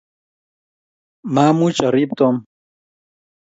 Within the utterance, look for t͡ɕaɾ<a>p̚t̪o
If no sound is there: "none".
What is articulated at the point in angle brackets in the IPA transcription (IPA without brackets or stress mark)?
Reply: i